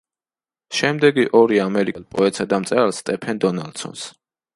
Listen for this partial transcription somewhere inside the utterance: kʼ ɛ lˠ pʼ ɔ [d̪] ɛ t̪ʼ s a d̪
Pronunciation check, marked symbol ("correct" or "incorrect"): incorrect